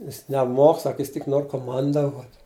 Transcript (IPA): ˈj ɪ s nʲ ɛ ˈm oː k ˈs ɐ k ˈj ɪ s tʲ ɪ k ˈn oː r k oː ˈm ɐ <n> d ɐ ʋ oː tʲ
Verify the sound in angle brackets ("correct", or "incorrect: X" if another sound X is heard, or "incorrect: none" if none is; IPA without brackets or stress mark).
correct